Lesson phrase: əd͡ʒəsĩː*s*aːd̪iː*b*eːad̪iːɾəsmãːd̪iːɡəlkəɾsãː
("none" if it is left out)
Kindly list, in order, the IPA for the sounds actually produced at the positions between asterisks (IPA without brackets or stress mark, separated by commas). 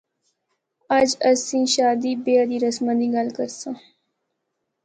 ʃ, b